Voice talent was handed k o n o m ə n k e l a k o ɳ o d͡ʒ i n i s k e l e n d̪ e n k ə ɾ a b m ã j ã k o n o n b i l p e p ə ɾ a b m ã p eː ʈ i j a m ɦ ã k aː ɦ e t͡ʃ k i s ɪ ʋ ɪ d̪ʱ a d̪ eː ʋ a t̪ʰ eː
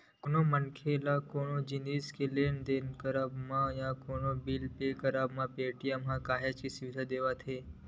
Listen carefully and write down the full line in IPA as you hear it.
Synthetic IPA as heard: k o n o m ə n kʰ e l a k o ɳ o d͡ʒ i n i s k e l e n d̪ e n k ə ɾ a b m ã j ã k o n o b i l p e k ə ɾ a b m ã p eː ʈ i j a m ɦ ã k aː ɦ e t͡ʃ k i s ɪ ʋ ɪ d̪ʱ a d̪ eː ʋ a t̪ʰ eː

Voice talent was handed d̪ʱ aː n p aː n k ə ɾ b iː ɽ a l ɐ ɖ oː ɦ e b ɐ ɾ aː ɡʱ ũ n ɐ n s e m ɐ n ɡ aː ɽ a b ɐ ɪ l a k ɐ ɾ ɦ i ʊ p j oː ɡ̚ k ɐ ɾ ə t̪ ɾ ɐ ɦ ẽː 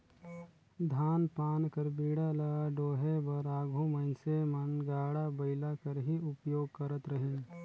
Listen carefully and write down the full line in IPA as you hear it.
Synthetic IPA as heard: d̪ʱ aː n p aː n k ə ɾ b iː ɽ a l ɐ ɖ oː ɦ e b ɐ ɾ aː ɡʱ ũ m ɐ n s e m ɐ n ɡ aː ɽ a b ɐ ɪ l a k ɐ ɾ ɦ i ʊ p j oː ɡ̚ k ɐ ɾ ə t̪ ɾ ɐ ɦ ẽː

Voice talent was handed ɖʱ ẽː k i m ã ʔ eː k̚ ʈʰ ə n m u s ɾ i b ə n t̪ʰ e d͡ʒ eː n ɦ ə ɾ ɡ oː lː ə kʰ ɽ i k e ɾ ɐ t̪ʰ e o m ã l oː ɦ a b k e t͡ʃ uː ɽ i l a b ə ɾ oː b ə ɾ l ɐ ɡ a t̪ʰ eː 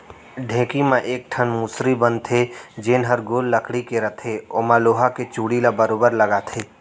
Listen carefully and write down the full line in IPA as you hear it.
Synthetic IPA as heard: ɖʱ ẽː k i m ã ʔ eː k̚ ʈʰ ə n m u s ɾ i b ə n t̪ʰ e d͡ʒ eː n ɦ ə ɾ ɡ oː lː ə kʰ ɽ i k e ɾ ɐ t̪ʰ e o m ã l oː ɦ a k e t͡ʃ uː ɽ i l a b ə ɾ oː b ə ɾ l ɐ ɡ a t̪ʰ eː

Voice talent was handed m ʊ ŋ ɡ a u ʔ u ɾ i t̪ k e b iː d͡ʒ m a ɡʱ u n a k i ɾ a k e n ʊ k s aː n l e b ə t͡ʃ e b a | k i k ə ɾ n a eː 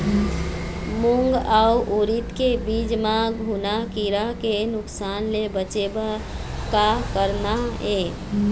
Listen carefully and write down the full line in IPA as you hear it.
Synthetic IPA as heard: m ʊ ŋ ɡ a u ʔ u ɾ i t̪ k e b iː d͡ʒ m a ɡʱ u n a k i ɾ a k e n ʊ k s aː n l e b ə t͡ʃ e b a | k a k ə ɾ n a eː

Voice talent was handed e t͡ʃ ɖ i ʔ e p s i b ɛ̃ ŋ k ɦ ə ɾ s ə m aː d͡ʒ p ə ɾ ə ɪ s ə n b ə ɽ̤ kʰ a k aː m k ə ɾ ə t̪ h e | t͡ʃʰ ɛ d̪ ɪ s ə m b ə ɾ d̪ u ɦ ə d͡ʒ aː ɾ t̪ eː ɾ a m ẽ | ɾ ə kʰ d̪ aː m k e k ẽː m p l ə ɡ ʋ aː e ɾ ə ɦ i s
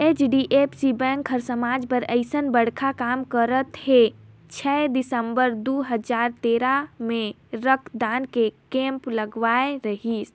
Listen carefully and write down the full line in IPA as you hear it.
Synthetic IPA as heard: e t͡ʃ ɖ i ʔ e p s i b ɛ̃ ŋ k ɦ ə ɾ s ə m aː d͡ʒ p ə ɾ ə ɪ s ə n b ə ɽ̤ kʰ a k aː m k ə ɾ ə t̪ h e | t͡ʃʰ ɛ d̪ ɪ s ə m b ə ɾ d̪ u ɦ ə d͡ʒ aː ɾ t̪ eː ɾ a m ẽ | ɾ ə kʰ d̪ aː n k e k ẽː m p l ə ɡ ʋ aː e ɾ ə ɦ i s

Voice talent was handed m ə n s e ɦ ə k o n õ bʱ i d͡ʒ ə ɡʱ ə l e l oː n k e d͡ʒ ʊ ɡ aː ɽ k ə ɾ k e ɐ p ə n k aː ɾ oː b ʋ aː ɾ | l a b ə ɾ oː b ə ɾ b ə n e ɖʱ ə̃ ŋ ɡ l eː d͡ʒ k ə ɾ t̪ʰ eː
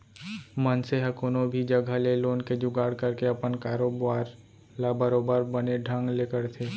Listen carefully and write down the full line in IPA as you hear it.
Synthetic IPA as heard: m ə n s e ɦ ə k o n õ bʱ i d͡ʒ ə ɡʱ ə l e l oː n k e d͡ʒ ʊ ɡ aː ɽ k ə ɾ k e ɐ p ə n k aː ɾ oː b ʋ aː ɾ | l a b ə ɾ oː b ə ɾ b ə n e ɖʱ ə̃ ŋ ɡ l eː k ə ɾ t̪ʰ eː

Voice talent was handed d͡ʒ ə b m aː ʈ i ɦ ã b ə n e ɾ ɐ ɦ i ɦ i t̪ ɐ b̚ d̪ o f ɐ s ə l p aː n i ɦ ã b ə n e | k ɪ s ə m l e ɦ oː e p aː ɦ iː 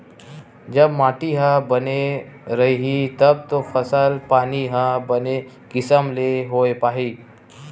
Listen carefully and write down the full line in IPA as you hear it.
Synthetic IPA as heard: d͡ʒ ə b m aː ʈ i ɦ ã b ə n e ɾ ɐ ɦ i ɦ i t̪ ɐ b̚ t̪ o f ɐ s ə l p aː n i ɦ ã b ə n e | k ɪ s ə m l e ɦ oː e p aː ɦ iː

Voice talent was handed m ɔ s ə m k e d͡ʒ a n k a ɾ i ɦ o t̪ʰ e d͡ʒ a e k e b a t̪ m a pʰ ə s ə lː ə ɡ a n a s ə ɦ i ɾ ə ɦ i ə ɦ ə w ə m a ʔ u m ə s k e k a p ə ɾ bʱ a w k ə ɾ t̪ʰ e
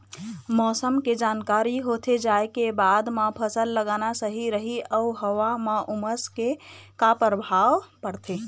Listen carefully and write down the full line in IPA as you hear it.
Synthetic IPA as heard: m ɔ s ə m k e d͡ʒ a n k a ɾ i ɦ o t̪ʰ e d͡ʒ a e k e b a d̪ m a pʰ ə s ə lː ə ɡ a n a s ə ɦ i ɾ ə ɦ i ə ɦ ə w a m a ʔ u m ə s k e k a p ə ɾ bʱ a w p ə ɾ t̪ʰ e

